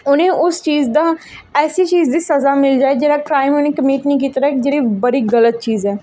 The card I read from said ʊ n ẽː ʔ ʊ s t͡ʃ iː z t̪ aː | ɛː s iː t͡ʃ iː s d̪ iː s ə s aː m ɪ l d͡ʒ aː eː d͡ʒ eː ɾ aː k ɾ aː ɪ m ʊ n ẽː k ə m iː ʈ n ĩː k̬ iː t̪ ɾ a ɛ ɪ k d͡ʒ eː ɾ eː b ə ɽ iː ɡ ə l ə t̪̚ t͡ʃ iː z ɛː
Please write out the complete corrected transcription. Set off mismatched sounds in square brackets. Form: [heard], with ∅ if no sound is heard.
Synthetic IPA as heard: ʊ n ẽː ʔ ʊ s t͡ʃ iː z [d̪] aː | ɛː s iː t͡ʃ iː [z] d̪ iː s ə [z] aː m ɪ l d͡ʒ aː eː d͡ʒ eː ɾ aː k ɾ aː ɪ m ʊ n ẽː k ə m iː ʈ n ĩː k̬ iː t̪ ɾ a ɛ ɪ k d͡ʒ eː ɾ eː b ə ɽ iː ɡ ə l ə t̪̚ t͡ʃ iː z ɛː